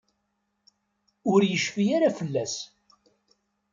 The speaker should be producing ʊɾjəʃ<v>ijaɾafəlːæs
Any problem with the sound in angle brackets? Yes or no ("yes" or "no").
yes